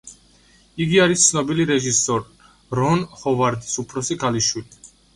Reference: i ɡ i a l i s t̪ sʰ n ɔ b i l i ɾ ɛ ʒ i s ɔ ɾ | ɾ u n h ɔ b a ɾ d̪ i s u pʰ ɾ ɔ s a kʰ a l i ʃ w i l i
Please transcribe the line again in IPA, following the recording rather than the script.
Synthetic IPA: i ɡ i a ɾ i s t̪ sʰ n ɔ b i l i ɾ ɛ ʒ i s ɔ ɾ | ɾ ɔ n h ɔ v a ɾ d̪ i s u pʰ ɾ ɔ s i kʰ a l i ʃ w i l i